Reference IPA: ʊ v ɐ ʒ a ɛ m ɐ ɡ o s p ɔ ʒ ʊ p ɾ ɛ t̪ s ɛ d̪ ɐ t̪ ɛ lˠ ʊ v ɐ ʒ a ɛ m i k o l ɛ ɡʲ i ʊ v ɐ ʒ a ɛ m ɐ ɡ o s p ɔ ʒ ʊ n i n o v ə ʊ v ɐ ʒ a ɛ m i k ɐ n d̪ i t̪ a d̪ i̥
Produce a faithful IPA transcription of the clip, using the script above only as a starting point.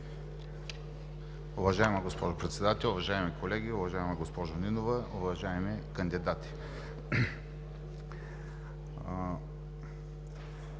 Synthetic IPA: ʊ v ɐ ʒ a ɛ m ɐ ɡ o s p ɔ ʒ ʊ p ɾ ɛ t̪ s ɛ d̪ a t̪ ɛ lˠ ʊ v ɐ ʒ a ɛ m i k o l ɛ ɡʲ i ʊ v ɐ ʒ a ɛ m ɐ ɡ o s p ɔ ʒ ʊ n i n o v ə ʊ v ɐ ʒ a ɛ m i k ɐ n d̪ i d̪ a t̪ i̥